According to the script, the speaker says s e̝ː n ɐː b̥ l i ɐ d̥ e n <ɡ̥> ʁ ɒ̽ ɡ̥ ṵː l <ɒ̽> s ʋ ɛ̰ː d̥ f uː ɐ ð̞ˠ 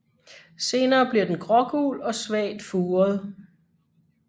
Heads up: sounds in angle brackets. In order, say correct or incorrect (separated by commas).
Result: correct, correct